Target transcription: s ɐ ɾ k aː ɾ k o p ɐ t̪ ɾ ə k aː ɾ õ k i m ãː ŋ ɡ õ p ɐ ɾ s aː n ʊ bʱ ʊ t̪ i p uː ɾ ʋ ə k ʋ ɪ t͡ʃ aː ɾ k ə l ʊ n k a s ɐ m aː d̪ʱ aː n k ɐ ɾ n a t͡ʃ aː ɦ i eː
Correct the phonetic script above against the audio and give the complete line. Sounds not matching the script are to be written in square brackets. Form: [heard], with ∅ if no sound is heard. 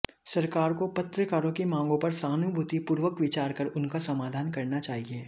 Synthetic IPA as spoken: s ɐ ɾ k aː ɾ k o p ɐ t̪ ɾ ə k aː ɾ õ k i m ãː ŋ ɡ õ p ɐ ɾ s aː n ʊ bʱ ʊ t̪ i p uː ɾ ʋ ə k ʋ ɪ t͡ʃ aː ɾ k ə [ɾ] ʊ n k a s ɐ m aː d̪ʱ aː n k ɐ ɾ n a t͡ʃ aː ɦ i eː

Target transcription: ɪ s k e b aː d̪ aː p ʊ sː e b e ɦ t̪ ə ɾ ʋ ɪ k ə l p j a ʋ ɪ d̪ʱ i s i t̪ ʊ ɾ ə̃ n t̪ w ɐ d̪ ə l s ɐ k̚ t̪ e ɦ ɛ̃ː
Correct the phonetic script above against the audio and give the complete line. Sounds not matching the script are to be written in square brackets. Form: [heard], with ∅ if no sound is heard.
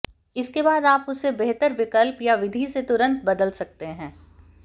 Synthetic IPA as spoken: ɪ s k e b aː d̪ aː p ʊ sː e b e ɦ t̪ ə ɾ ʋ ɪ k ə l p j a ʋ ɪ d̪ʱ i s [e] t̪ ʊ ɾ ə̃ n t̪ [b] ɐ d̪ ə l s ɐ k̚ t̪ e ɦ ɛ̃ː

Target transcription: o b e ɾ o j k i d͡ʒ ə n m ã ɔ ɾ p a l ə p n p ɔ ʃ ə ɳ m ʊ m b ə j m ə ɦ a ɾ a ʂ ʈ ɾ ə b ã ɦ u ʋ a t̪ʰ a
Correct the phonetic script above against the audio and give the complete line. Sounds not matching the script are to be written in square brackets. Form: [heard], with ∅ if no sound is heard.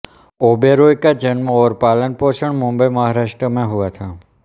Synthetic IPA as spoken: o b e ɾ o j k [a] d͡ʒ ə n m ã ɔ ɾ p a l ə [∅] n p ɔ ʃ ə ɳ m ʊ m b ə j m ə ɦ a ɾ a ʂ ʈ ɾ ə [m] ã ɦ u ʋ a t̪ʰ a

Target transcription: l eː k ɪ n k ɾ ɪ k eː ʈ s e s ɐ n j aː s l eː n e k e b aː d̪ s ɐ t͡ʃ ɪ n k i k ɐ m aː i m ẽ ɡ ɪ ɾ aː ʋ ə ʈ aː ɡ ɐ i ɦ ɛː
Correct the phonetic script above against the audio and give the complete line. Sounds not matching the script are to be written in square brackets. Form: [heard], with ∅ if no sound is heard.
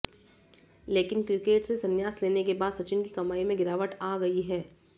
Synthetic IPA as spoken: l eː k ɪ n k ɾ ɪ k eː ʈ s e s ɐ n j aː s l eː n e k e b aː d̪ s ɐ t͡ʃ ɪ n k i k ɐ m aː i m ẽ ɡ ɪ ɾ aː ʋ ə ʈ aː ɡ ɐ i ɦ ɛː

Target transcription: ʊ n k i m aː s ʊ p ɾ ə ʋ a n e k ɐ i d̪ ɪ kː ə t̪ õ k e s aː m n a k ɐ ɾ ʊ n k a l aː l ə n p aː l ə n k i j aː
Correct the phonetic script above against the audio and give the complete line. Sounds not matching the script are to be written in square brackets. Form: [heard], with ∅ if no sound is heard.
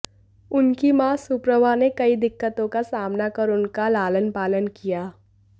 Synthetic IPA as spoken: ʊ n k i m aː s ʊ p ɾ ə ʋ a n e k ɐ i d̪ ɪ kː ə t̪ õ k [a] s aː m n a k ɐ ɾ ʊ n k a l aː l ə n p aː l ə n k i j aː

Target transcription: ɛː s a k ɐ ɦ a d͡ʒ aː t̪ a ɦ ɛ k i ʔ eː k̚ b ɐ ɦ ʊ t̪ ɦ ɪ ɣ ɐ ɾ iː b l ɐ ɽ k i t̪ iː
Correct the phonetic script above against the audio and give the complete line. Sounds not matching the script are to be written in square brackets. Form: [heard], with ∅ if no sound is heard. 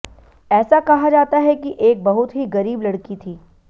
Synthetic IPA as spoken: ɛː s a k ɐ ɦ a d͡ʒ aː t̪ a ɦ ɛ k i ʔ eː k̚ b ɐ ɦ ʊ t̪ ɦ [i] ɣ ɐ ɾ iː b l ɐ ɽ k i [t̪ʰ] iː

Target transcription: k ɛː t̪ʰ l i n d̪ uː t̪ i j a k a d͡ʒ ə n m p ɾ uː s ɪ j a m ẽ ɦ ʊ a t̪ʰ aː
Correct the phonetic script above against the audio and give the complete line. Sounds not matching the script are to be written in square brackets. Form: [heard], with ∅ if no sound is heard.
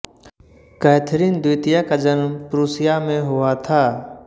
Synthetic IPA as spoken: k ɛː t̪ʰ [ɾ] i n d̪ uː t̪ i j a k a d͡ʒ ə n m p ɾ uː s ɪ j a m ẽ ɦ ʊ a t̪ʰ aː

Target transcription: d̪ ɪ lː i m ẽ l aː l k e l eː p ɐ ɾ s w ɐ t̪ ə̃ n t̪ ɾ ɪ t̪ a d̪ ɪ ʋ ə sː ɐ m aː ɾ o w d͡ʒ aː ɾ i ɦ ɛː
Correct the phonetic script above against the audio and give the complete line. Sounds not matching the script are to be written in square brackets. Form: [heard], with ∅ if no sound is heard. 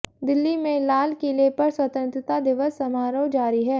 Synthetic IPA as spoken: d̪ ɪ lː i m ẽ l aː l k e l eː p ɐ ɾ s w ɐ t̪ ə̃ n t̪ ɾ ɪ t̪ a d̪ ɪ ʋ ə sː ɐ m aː ɾ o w d͡ʒ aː ɾ i ɦ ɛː

